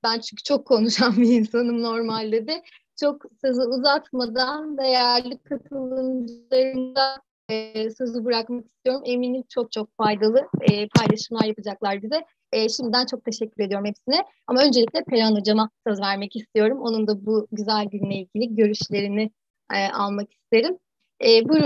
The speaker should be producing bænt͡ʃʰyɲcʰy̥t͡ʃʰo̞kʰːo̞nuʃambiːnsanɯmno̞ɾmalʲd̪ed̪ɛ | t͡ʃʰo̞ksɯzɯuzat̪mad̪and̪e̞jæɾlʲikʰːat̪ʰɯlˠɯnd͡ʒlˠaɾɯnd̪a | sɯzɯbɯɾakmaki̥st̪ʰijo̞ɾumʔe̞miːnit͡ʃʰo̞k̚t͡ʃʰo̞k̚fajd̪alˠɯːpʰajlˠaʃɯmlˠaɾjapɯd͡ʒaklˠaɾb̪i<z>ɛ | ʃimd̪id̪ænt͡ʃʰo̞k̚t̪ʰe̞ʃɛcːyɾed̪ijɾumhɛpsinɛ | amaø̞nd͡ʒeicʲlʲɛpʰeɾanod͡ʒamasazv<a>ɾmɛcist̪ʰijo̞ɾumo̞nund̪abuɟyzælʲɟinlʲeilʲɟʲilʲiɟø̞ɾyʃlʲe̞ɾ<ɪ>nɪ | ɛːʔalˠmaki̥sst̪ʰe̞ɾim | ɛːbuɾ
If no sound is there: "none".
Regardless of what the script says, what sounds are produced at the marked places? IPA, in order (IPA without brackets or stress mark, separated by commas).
z, æ, i